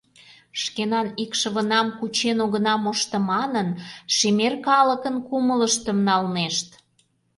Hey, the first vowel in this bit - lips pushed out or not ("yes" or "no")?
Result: no